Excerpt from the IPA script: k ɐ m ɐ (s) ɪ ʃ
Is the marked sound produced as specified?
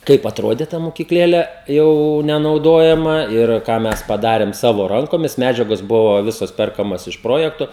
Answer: yes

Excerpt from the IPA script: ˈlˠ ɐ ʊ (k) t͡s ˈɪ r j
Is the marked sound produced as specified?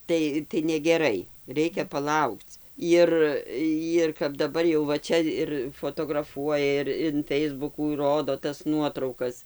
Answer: yes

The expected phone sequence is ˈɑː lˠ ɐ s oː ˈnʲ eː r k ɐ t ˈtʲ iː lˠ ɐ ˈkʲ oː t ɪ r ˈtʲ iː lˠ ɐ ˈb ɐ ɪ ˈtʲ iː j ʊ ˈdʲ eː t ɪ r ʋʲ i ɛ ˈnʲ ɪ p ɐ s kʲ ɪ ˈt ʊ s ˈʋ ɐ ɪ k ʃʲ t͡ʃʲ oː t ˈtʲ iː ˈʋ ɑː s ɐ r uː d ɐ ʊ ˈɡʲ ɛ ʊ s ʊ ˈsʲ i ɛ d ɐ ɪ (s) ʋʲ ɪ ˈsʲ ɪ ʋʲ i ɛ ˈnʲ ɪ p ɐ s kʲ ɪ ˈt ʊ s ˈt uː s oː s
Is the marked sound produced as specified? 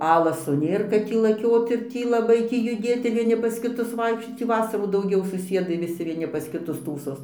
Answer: no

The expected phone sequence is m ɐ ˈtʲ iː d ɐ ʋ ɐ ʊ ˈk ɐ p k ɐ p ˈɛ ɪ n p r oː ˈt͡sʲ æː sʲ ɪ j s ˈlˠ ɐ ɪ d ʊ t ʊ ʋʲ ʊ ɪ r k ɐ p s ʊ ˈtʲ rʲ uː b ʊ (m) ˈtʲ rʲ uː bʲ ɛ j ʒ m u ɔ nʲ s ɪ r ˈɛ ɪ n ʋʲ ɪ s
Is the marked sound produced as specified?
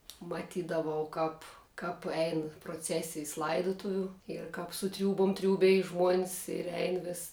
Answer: yes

